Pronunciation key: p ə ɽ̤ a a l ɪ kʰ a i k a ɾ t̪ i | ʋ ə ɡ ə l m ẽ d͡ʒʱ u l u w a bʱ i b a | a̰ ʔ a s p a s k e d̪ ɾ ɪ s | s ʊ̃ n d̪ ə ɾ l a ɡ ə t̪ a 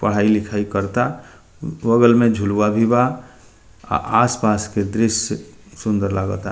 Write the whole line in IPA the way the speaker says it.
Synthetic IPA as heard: p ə ɽ̤ a i l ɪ kʰ a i k ə ɾ t̪ a | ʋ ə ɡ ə l m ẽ d͡ʒʱ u l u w a bʱ i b a | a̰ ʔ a s p a s k e d̪ ɾ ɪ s | s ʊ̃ n d̪ ə ɾ l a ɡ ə t̪ a